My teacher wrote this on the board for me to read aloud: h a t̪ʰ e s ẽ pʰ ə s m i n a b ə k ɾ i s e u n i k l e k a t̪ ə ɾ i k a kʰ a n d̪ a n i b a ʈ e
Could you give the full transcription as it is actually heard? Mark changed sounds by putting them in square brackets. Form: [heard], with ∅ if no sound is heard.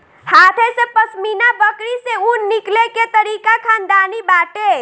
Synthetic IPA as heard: h a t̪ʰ e s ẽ [p] ə s m i n a b ə k ɾ i s e u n i k l e k [e] t̪ ə ɾ i k a kʰ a n d̪ a n i b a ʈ e